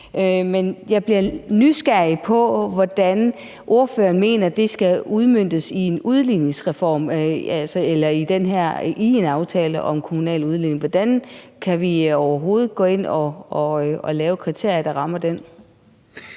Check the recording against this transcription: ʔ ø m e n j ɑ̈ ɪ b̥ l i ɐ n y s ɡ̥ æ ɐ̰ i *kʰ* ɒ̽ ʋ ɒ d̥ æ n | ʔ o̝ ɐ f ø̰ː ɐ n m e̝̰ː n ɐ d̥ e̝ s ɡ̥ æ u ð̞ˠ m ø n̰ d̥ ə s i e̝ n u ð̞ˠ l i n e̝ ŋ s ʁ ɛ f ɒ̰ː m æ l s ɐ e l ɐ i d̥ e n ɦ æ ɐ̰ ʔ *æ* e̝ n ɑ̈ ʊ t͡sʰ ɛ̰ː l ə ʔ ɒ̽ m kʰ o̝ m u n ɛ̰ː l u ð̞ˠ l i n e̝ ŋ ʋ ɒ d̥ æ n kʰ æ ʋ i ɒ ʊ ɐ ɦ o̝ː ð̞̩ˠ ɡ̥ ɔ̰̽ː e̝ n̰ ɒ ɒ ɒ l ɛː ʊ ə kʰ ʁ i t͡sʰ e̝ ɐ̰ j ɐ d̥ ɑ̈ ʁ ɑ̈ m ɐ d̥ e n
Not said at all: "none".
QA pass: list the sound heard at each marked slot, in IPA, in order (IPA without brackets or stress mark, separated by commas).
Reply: pʰ, i